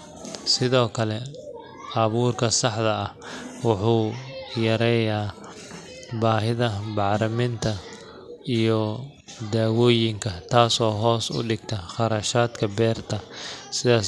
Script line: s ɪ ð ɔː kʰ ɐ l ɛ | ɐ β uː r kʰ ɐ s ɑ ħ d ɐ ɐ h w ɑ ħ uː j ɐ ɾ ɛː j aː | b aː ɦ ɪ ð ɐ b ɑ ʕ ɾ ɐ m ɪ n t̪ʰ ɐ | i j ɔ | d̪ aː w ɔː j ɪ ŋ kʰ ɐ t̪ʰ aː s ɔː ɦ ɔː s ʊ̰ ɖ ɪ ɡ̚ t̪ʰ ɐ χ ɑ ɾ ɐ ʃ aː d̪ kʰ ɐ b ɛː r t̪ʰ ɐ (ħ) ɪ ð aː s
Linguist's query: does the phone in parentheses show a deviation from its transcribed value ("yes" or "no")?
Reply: yes